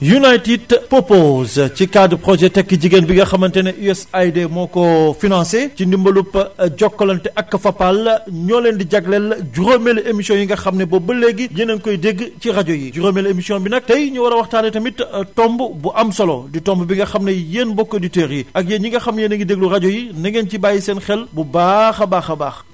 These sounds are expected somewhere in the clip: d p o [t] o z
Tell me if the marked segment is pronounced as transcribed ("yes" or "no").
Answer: no